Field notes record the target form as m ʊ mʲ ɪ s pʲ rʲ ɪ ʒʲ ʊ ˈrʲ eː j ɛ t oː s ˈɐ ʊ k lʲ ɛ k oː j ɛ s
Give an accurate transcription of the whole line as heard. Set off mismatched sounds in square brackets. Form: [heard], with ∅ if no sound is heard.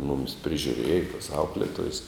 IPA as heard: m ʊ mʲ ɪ s pʲ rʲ ɪ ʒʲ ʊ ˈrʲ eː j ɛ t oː s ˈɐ ʊ k lʲ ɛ [t] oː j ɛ s